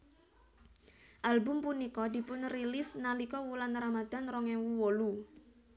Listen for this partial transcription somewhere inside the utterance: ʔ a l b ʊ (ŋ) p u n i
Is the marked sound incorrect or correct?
incorrect